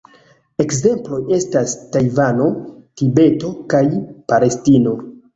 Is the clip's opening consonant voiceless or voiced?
voiceless